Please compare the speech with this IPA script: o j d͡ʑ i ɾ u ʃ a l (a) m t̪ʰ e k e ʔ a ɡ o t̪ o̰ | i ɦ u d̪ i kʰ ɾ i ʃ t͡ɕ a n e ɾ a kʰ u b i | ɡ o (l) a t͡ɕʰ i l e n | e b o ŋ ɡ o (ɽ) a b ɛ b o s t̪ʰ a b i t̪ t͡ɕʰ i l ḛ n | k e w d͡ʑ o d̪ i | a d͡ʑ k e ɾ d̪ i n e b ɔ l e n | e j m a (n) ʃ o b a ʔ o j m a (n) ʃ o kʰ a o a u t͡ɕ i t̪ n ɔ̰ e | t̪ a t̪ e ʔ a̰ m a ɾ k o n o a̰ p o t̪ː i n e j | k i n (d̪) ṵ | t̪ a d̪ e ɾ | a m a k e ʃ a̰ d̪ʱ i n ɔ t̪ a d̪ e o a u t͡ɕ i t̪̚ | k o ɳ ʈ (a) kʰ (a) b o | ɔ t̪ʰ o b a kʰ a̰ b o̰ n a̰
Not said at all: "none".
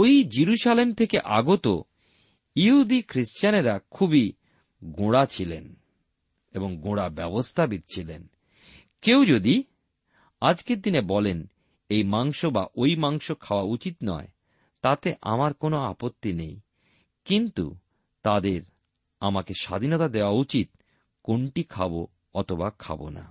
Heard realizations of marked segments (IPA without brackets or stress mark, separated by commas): e, ɽ, ɽ, ŋ, ŋ, t̪, i, a